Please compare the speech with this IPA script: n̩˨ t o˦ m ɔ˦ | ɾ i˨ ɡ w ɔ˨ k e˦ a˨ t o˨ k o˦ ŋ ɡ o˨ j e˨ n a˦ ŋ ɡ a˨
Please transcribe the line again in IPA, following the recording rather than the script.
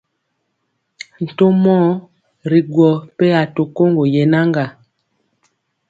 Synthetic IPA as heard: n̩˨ t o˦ m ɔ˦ | ɾ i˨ ɡ w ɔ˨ p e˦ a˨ t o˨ k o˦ ŋ ɡ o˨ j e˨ n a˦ ŋ ɡ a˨